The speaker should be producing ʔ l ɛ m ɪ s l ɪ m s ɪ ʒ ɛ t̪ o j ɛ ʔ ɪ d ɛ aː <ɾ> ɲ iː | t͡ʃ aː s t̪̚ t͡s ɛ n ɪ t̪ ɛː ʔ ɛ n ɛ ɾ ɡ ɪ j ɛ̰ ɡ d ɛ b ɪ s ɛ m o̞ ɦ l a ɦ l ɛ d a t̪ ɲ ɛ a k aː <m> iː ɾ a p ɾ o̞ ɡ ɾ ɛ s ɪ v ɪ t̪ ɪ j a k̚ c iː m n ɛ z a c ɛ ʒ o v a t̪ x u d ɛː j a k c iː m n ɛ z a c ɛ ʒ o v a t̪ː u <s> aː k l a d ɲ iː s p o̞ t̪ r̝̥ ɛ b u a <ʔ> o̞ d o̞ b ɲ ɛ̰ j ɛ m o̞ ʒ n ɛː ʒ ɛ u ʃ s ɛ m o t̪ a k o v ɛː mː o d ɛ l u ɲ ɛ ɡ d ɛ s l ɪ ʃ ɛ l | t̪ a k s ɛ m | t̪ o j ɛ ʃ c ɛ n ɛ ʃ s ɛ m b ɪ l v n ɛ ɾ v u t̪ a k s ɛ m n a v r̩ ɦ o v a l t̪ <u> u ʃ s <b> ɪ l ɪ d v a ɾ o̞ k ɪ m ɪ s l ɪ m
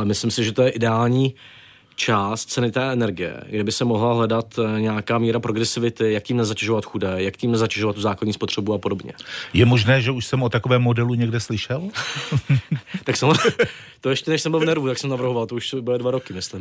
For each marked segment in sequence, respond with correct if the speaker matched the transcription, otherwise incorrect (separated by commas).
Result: incorrect, correct, incorrect, incorrect, incorrect, correct